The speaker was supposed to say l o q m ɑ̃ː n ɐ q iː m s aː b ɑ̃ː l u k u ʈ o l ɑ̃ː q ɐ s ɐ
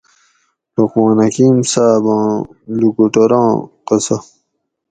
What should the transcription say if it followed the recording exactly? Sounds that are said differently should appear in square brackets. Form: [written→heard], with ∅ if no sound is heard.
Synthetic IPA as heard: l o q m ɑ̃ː n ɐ [q→k] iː m s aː b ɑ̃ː l u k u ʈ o [l→ɾ] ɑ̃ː q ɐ s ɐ